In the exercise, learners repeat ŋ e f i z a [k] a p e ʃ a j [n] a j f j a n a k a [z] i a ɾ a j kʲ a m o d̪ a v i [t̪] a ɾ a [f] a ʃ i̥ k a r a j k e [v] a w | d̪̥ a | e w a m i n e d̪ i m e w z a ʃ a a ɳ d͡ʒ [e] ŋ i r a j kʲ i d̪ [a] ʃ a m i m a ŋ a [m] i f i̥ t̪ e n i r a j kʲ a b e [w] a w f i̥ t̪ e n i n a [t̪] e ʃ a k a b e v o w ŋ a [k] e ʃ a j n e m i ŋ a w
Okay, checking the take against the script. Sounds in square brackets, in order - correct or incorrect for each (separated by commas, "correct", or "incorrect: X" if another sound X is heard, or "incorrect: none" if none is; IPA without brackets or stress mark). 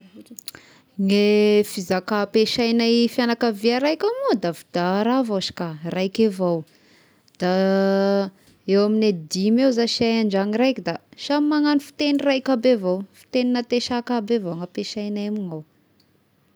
correct, correct, incorrect: v, incorrect: d̪, incorrect: v, correct, incorrect: a, correct, incorrect: n, incorrect: v, correct, incorrect: p